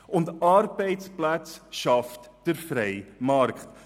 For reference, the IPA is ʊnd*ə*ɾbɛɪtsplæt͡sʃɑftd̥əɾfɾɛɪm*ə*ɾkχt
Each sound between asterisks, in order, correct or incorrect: incorrect, incorrect

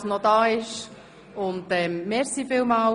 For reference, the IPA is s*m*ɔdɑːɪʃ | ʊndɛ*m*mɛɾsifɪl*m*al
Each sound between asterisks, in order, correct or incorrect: incorrect, correct, correct

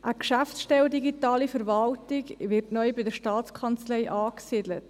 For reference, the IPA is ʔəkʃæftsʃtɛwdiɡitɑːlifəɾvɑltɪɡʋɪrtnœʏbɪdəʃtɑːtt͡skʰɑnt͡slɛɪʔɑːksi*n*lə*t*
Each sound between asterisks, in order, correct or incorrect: incorrect, correct

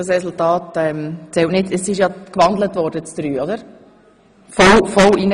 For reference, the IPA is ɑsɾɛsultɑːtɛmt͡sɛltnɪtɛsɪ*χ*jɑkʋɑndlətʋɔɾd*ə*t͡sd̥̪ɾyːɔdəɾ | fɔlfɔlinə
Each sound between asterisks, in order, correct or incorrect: incorrect, correct

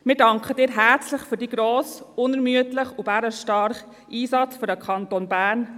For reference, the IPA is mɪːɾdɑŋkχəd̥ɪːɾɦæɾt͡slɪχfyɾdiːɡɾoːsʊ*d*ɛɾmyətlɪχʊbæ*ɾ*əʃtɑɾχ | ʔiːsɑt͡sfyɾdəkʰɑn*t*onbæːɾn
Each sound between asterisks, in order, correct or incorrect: incorrect, correct, correct

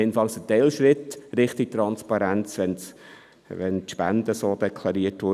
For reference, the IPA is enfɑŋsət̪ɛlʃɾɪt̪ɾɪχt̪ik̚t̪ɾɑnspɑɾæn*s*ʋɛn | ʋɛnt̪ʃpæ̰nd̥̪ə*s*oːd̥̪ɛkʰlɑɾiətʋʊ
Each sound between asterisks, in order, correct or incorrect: incorrect, correct

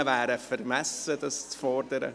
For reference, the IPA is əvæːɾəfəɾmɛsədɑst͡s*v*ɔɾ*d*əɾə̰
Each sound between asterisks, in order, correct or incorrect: incorrect, correct

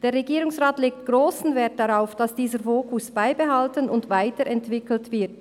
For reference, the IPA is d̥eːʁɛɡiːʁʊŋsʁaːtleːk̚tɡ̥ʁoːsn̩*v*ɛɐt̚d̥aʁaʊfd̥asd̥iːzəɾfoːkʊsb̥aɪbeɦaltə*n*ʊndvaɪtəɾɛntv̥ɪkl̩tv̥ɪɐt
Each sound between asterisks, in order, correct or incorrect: correct, correct

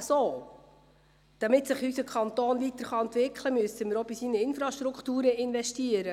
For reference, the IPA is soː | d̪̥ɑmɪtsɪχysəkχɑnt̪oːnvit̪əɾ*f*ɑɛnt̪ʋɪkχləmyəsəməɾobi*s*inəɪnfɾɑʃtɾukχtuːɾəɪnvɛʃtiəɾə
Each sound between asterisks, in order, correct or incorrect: incorrect, correct

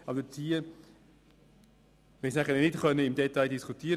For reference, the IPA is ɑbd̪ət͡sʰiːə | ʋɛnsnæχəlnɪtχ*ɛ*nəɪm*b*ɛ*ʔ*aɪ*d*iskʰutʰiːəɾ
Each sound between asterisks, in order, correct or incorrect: incorrect, incorrect, incorrect, correct

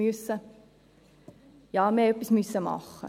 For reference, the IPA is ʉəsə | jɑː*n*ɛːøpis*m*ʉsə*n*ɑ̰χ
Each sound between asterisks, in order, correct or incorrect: incorrect, correct, incorrect

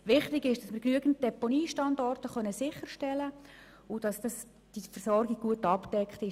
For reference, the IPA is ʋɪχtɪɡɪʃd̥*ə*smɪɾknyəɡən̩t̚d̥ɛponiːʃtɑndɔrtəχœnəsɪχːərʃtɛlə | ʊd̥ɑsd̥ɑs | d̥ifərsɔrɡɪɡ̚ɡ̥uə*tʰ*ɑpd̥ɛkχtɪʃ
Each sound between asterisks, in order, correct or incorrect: incorrect, incorrect

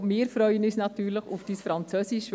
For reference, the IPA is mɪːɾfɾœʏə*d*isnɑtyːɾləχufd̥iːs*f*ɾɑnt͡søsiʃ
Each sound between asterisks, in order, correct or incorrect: incorrect, correct

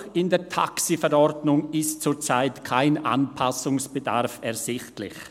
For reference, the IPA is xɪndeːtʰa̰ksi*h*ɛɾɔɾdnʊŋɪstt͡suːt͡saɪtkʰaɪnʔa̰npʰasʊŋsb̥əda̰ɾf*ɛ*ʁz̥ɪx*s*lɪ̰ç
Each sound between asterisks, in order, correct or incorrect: incorrect, correct, incorrect

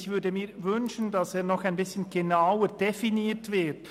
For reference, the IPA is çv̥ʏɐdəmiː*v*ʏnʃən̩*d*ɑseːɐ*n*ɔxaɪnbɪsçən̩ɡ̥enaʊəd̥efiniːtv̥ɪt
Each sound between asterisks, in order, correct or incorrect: correct, correct, correct

